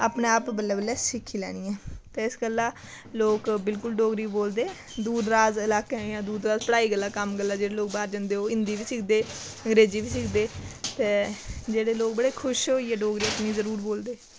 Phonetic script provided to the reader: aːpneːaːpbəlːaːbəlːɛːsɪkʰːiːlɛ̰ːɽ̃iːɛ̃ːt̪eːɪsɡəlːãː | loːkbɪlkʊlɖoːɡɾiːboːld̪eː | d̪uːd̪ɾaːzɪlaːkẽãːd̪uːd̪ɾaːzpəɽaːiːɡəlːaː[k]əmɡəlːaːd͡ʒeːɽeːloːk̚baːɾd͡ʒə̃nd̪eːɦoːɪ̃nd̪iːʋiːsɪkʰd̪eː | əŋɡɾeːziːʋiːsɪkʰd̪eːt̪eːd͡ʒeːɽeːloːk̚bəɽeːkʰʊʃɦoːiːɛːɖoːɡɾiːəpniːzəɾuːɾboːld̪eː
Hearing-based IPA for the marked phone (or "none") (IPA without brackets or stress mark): k